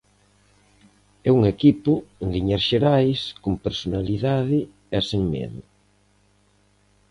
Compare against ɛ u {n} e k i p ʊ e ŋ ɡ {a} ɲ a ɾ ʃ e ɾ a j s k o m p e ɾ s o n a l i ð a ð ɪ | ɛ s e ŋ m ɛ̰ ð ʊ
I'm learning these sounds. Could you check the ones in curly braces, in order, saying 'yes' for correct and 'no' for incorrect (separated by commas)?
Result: no, no